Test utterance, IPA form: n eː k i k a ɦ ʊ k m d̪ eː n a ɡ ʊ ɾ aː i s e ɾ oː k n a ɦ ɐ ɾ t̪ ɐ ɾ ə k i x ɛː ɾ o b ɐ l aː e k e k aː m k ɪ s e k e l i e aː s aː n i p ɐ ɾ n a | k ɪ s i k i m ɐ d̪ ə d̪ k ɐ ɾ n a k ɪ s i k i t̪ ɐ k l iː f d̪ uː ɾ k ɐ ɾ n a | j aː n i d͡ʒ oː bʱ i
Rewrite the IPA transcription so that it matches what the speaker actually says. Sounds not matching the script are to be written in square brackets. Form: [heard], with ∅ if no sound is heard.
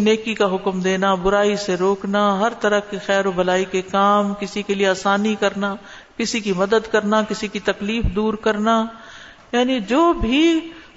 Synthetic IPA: n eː k i k a ɦ ʊ k m d̪ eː n a [b] ʊ ɾ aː i s e ɾ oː k n a ɦ ɐ ɾ t̪ ɐ ɾ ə k i x ɛː ɾ o b ɐ l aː [i] k e k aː m k ɪ s [i] k e l i e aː s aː n i [k] ɐ ɾ n a | k ɪ s i k i m ɐ d̪ ə d̪ k ɐ ɾ n a k ɪ s i k i t̪ ɐ k l iː f d̪ uː ɾ k ɐ ɾ n a | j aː n i d͡ʒ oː bʱ i